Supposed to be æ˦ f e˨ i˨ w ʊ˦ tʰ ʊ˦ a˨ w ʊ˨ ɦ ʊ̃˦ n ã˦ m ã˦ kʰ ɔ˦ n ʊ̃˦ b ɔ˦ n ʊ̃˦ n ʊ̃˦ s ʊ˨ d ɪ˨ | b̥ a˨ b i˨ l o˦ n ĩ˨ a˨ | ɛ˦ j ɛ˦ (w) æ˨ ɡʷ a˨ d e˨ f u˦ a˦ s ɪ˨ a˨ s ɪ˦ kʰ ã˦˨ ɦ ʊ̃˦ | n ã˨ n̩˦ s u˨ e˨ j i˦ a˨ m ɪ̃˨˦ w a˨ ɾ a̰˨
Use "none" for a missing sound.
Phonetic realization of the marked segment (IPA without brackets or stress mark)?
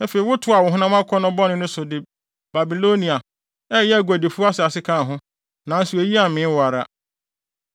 none